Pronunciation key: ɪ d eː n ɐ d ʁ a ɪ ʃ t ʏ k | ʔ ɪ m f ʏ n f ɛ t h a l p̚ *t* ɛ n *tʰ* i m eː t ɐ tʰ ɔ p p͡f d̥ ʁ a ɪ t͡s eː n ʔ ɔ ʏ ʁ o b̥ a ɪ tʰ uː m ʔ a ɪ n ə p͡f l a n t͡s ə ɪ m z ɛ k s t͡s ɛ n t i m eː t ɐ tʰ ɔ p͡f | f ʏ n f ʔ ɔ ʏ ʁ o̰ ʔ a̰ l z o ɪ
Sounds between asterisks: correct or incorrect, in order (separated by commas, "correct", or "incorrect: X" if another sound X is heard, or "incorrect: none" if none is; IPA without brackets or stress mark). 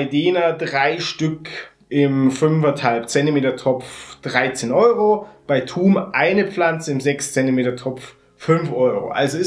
incorrect: t͡s, incorrect: t